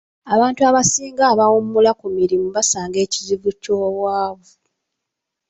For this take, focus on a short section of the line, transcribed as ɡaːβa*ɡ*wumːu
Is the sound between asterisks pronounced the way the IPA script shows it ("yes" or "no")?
no